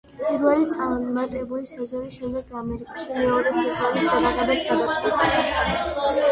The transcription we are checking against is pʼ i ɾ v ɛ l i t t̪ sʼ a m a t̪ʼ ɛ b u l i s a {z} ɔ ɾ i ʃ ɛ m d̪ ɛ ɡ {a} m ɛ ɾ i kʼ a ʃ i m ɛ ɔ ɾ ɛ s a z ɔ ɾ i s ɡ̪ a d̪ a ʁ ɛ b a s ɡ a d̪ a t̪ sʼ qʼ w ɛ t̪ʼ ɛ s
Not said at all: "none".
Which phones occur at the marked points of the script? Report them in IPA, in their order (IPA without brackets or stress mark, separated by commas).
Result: z, a